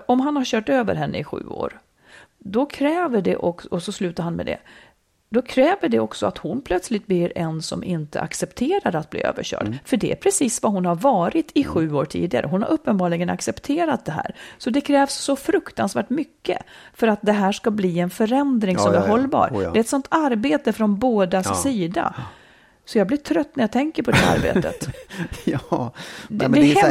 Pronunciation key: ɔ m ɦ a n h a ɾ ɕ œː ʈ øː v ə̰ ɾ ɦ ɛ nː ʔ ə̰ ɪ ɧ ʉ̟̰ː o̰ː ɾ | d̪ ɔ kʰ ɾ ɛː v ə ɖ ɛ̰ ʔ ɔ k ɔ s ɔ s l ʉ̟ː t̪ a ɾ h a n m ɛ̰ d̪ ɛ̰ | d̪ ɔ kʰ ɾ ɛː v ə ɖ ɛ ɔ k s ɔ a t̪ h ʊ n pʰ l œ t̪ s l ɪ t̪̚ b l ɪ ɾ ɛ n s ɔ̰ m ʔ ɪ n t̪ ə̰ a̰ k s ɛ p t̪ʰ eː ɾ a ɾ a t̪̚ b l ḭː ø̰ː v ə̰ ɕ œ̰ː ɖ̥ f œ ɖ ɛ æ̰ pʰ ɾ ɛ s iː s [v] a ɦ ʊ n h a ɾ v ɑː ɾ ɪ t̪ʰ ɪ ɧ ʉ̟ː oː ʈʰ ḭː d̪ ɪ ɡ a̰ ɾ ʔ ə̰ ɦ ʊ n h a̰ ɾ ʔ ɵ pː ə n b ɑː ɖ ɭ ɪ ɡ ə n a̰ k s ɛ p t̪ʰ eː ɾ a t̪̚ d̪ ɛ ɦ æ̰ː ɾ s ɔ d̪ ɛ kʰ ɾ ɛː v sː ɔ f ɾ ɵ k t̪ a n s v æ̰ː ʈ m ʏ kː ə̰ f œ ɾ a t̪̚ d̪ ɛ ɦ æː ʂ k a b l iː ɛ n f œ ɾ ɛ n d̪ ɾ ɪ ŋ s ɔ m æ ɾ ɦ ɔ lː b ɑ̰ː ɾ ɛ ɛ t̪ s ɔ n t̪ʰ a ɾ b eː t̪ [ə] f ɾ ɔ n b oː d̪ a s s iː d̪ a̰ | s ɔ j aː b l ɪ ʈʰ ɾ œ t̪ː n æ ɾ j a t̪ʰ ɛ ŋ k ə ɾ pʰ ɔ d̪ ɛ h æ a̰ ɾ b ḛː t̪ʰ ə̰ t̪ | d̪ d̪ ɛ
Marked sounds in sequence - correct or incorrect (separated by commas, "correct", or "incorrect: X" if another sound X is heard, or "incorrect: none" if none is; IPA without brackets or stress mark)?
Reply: correct, correct